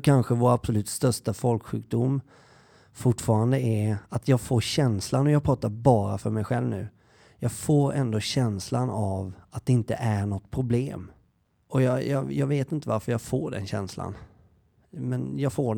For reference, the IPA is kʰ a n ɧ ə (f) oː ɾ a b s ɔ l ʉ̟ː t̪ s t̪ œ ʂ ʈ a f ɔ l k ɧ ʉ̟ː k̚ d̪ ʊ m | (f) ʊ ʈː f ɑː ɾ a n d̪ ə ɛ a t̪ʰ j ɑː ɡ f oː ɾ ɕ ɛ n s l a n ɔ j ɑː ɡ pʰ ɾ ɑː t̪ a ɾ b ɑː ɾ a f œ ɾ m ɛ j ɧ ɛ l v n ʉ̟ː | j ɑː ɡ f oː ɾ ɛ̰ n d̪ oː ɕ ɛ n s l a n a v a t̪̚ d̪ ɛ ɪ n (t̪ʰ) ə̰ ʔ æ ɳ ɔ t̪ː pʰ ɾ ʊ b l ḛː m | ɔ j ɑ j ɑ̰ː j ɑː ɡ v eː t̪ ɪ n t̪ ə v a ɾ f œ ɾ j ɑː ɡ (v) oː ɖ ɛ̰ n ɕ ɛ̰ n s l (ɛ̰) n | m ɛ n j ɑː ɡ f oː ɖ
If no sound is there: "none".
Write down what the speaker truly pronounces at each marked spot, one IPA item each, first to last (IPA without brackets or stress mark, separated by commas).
v, f, t̪, f, a̰